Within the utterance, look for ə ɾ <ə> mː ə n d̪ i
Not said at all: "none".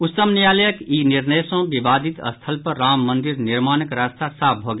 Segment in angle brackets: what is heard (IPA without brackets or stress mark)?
a